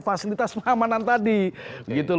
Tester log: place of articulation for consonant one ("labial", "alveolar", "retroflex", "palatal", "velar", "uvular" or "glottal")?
labial